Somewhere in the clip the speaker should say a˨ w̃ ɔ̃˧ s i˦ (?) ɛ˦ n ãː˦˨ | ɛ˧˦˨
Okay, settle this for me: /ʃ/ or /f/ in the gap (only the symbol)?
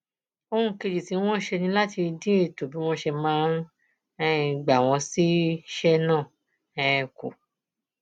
ʃ